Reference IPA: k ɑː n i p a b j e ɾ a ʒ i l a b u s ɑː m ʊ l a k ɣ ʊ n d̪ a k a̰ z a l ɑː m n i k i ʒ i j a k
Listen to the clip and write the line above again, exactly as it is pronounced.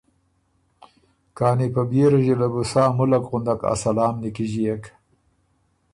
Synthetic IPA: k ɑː n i p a b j e ɾ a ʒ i l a b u s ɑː m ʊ l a k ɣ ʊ n d̪ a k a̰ s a l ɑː m n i k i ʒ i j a k